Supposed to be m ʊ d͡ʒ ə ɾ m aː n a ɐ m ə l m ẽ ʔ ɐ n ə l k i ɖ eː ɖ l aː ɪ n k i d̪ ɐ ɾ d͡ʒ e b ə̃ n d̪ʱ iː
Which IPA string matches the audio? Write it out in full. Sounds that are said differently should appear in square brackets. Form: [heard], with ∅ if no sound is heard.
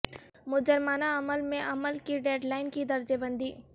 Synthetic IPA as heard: m ʊ d͡ʒ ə ɾ m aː n a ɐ m ə l m ẽ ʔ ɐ [m] ə l k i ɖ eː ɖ l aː ɪ n k i d̪ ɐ ɾ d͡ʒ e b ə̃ n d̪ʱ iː